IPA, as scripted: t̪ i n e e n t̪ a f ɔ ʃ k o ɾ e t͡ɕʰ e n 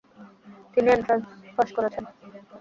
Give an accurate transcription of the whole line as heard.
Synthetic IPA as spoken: t̪ i n i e n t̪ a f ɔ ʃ k o ɾ e t͡ɕʰ e n

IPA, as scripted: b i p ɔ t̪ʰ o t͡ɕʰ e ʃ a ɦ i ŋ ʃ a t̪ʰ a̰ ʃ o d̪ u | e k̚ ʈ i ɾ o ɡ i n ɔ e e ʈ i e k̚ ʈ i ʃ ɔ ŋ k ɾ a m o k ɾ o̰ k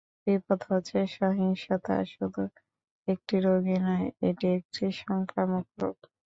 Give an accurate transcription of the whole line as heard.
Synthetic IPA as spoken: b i p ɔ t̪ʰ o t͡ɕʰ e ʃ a ɦ i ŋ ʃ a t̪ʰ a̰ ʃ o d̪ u | e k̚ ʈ i ɾ o ɡ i n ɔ e e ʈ i e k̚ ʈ i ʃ ɔ ŋ k ɾ a m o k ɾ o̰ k

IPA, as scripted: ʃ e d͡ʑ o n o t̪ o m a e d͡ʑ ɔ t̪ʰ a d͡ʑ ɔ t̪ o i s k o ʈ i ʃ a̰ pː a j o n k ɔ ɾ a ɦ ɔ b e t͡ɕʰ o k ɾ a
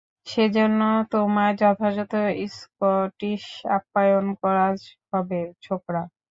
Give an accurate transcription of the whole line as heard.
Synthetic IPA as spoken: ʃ e d͡ʑ o nː o t̪ o m a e d͡ʑ ɔ t̪ʰ a d͡ʑ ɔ t̪ o i s k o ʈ i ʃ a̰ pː a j o n k ɔ ɾ a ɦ ɔ b e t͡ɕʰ o k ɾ a

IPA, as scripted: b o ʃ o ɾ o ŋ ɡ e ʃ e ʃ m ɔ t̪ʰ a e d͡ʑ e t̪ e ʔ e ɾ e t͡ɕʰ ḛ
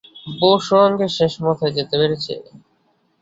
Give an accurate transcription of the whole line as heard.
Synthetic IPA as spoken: b o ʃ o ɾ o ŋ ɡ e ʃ e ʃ m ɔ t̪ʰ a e d͡ʑ e t̪ e p e ɾ e t͡ɕʰ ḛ

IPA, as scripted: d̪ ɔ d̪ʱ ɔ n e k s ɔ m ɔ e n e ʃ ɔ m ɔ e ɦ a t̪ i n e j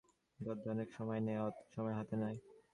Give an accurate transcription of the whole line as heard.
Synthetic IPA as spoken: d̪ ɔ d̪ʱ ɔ n e k ʃ ɔ m ɔ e n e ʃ ɔ m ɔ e ɦ a t̪ e n a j

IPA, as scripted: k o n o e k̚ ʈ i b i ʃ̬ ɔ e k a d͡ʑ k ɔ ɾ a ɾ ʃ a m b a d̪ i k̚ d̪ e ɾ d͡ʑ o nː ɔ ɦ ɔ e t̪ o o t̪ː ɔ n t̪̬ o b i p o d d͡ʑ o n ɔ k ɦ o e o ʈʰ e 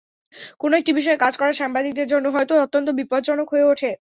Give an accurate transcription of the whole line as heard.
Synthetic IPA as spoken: k o n o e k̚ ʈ i b i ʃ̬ ɔ e k a d͡ʑ k ɔ ɾ a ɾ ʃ a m b a d̪ i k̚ d̪ e ɾ d͡ʑ o nː o ɦ ɔ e t̪ o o t̪ː o n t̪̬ o b i p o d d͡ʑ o n o k ɦ o e o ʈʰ e

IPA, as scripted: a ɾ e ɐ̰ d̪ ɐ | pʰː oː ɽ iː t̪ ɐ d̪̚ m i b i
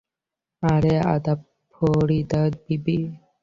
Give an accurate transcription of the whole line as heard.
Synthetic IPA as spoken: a ɾ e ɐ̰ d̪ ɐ | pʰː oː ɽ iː d̪ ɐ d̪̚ b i b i

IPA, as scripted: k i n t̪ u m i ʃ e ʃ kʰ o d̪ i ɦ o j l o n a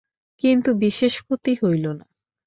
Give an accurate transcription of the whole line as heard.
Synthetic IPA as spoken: k i n t̪ u b i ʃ e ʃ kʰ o t̪ i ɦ o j l o n a

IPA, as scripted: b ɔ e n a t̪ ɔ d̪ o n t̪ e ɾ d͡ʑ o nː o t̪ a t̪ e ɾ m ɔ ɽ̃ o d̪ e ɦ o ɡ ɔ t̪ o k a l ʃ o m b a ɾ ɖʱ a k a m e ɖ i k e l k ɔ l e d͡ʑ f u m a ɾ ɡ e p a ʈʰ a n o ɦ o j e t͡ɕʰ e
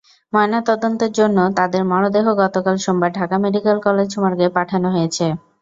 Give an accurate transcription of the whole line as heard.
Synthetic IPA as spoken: m ɔ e n a t̪ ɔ d̪ o n t̪ e ɾ d͡ʑ o nː o t̪ a d̪ e ɾ m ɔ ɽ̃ o d̪ e ɦ o ɡ ɔ t̪ o k a l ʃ o m b a ɾ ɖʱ a k a m e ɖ i k e l k ɔ l e d͡ʑ ʃ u m a ɾ ɡ e p a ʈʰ a n o ɦ o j e t͡ɕʰ e

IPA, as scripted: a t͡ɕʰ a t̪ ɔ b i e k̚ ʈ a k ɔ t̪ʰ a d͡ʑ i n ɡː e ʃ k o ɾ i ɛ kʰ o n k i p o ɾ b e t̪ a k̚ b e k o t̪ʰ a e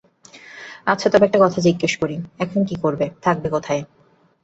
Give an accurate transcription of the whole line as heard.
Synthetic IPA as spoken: a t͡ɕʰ a t̪ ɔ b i ɛ k̚ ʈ a k ɔ t̪ʰ a d͡ʑ i ɡː e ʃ k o ɾ i ɛ kʰ o n k i k o ɾ b e t̪ʰ a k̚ b e k o t̪ʰ a e

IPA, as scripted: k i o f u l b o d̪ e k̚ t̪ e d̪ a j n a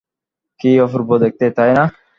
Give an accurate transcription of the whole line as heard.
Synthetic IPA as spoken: k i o f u ɾ b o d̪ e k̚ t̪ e t̪ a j n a

